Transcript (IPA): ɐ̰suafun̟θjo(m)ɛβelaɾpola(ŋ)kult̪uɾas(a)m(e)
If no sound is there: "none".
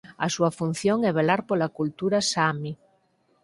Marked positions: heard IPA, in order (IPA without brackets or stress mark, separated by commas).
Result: ŋ, none, a, i